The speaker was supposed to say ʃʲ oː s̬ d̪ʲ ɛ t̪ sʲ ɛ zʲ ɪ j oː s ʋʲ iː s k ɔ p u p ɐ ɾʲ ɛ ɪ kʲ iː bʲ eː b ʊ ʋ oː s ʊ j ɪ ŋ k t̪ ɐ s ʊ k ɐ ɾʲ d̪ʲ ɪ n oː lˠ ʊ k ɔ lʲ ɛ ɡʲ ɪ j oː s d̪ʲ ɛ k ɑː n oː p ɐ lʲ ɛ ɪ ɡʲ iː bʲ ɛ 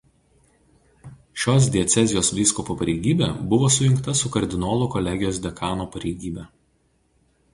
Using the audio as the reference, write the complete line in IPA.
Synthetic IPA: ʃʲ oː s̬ d̪ʲ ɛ t̪ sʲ ɛ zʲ ɪ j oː s ʋʲ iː s k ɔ p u p ɐ ɾʲ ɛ ɪ ɡʲ iː bʲ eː b ʊ ʋ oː s ʊ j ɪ ŋ k t̪ ɐ s ʊ k ɐ ɾʲ d̪ʲ ɪ n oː lˠ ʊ k ɔ lʲ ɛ ɡʲ ɪ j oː s d̪ʲ ɛ k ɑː n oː p ɐ ɾʲ ɛ ɪ ɡʲ iː bʲ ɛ